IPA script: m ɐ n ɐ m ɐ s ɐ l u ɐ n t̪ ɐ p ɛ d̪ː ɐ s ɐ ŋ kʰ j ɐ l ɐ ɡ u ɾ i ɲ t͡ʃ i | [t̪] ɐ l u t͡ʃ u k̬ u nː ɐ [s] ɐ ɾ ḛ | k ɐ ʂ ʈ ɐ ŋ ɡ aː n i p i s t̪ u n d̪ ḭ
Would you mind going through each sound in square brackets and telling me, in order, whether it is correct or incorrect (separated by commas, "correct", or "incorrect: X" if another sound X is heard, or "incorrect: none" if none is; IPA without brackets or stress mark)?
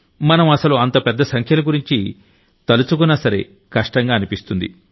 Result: correct, correct